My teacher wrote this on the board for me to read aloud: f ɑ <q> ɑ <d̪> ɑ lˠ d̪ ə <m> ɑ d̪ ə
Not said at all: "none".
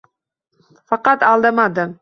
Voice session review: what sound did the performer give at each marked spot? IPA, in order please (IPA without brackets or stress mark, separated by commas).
q, t̪, m